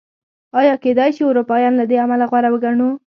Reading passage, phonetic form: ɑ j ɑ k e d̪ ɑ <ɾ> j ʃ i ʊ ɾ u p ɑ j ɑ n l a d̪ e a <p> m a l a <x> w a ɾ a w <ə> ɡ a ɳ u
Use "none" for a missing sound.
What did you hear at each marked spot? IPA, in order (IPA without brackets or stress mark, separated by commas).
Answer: none, none, ɣ, ə